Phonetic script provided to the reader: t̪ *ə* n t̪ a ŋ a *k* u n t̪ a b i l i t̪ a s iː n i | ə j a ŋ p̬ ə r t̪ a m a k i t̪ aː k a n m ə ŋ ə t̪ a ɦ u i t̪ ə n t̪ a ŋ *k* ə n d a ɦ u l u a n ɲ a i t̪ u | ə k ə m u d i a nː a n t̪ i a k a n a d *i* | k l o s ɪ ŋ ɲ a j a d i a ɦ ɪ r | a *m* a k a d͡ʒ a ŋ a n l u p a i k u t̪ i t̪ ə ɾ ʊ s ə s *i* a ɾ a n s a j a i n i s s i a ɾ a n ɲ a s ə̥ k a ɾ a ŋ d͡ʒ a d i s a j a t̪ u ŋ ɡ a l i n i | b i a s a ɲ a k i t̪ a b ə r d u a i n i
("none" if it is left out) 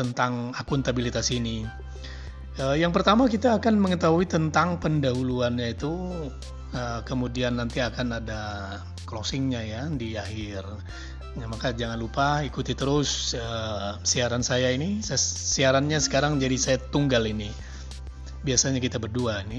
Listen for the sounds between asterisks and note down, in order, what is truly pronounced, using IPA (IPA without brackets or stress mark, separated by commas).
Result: ə, k, p, a, m, i